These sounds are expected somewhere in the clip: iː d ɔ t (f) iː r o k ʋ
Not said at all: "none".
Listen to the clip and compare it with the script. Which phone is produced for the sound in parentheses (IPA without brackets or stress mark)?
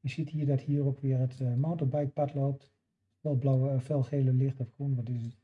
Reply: h